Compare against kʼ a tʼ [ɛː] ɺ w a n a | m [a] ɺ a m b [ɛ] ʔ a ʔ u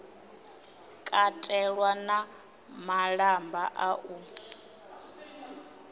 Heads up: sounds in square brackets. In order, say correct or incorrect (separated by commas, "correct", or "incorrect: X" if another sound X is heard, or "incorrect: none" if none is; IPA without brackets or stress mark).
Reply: incorrect: ɛ, correct, incorrect: a